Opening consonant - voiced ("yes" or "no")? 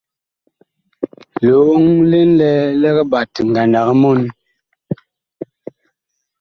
yes